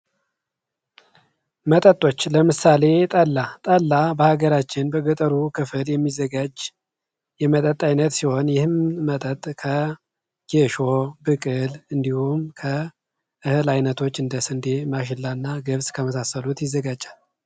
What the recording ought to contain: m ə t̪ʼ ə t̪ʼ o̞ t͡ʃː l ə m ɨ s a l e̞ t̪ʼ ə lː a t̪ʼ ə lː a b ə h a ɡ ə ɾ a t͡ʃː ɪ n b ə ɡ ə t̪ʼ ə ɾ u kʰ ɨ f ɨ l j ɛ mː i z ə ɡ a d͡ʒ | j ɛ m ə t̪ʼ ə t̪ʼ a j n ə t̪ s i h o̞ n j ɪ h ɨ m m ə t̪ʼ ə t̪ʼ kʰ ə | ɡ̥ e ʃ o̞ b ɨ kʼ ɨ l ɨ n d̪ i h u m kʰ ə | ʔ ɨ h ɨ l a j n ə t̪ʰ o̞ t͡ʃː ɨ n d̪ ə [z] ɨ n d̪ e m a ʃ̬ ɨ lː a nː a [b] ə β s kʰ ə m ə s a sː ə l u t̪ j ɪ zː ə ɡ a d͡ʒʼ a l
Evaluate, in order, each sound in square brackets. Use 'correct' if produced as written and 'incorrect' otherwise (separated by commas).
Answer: incorrect, incorrect